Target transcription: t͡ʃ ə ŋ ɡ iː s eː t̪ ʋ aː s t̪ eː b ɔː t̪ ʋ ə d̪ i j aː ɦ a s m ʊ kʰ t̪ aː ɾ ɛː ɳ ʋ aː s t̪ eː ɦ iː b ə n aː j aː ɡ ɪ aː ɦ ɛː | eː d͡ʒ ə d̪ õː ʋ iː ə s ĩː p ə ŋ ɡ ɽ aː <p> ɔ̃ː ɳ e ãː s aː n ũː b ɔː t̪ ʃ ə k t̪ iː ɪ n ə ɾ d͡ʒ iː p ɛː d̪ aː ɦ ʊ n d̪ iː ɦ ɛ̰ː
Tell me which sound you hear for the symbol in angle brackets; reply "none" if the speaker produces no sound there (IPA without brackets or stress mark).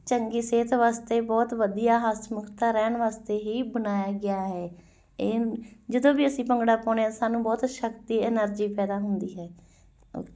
p